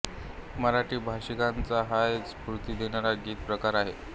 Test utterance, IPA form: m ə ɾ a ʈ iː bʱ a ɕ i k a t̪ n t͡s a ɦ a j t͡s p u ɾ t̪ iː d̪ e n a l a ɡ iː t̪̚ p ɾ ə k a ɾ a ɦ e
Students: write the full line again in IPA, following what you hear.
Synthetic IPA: m ə ɾ a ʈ iː bʱ a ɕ i k a n t͡s a ɦ a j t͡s p u ɾ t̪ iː d̪ e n a ɾ a ɡ iː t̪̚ p ɾ ə k a ɾ a ɦ e

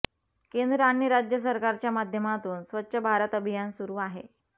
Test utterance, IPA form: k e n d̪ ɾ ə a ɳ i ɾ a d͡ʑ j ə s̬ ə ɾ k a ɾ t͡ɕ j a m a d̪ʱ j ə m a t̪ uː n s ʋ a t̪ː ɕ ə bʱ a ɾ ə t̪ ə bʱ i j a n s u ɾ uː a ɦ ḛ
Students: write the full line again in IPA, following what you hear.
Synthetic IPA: k e n d̪ ɾ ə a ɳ i ɾ a d͡ʑ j ə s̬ ə ɾ k a ɾ t͡ɕ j a m a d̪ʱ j ə m a t̪ uː n s ʋ ə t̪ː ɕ ə bʱ a ɾ ə t̪ ə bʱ i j a n s u ɾ uː a ɦ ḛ

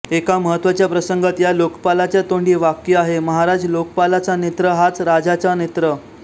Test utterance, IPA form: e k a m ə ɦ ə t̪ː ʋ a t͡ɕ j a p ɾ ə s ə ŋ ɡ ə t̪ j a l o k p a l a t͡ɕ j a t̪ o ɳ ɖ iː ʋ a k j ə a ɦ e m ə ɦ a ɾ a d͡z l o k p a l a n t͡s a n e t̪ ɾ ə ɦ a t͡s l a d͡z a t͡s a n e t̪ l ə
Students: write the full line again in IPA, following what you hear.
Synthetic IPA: e k a m ə ɦ ə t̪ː ʋ a t͡ɕ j a p ɾ ə s ə ŋ ɡ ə t̪ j a l o k p a l a t͡ɕ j a t̪ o ɳ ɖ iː ʋ a k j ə a ɦ e m ə ɦ a ɾ a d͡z l o k p a l a t͡s a n e t̪ ɾ ə ɦ a t͡s ɾ a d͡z a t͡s a n e t̪ ɾ ə

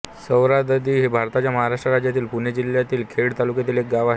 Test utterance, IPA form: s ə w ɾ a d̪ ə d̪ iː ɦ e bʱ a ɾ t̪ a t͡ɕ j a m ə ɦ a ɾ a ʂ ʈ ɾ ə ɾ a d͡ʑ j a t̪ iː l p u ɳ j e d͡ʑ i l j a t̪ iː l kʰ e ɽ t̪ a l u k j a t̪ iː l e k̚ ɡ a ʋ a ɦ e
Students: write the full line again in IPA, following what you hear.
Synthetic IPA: s ə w ɾ a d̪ ə d̪ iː ɦ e bʱ a ɾ t̪ a t͡ɕ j a m ə ɦ a ɾ a ʂ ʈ ɾ ə ɾ a d͡ʑ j a t̪ iː l p u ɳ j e d͡ʑ i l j a t̪ iː l kʰ e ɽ t̪ a l u k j a t̪ iː l e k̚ ɡ a ʋ a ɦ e

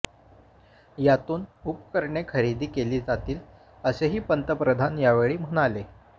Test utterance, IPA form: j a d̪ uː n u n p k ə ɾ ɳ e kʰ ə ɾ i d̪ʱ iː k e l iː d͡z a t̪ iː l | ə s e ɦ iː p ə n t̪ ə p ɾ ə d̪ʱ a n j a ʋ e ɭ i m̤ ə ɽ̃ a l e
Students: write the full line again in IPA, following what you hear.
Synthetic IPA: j a t̪ uː n u p k ə ɾ ɳ e kʰ ə ɾ i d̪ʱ iː k e l iː d͡z a t̪ iː l | ə s e ɦ iː p ə n t̪ ə p ɾ ə d̪ʱ a n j a ʋ e ɭ iː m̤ ə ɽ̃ a l e

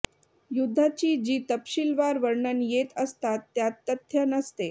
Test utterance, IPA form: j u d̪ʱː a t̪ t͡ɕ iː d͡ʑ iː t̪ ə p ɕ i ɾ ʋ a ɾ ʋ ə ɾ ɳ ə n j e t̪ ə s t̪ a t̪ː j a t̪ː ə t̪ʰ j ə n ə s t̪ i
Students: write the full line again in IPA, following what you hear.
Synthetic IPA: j u d̪ʱː a t͡ɕ iː d͡ʑ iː t̪ ə p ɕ i l ʋ a ɾ ʋ ə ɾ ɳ ə n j e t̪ ə s t̪ a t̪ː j a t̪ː ə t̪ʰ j ə n ə s t̪ e

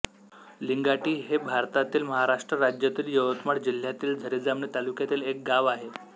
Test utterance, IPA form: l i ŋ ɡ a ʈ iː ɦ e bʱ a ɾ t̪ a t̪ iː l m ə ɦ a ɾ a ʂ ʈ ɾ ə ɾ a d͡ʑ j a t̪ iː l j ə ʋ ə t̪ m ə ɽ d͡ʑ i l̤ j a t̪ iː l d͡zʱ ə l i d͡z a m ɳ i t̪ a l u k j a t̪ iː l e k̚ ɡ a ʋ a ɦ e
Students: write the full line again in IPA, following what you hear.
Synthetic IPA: l i ŋ ɡ a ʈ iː ɦ e bʱ a ɾ t̪ a t̪ iː l m ə ɦ a ɾ a ʂ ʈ ɾ ə ɾ a d͡ʑ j a t̪ iː l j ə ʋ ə t̪ m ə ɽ d͡ʑ i l̤ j a t̪ iː l d͡zʱ ə ɾ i d͡z a m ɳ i t̪ a l u k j a t̪ iː l e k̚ ɡ a ʋ a ɦ e

